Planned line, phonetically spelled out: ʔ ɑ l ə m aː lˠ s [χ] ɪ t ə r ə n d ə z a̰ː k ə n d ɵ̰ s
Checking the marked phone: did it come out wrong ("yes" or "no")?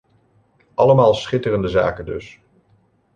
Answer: no